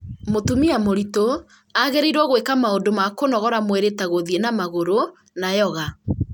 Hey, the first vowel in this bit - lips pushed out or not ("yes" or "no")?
yes